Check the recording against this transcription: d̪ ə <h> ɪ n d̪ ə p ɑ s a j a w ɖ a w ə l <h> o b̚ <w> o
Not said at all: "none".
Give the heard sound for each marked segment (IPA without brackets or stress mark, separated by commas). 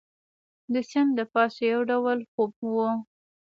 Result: s, x, w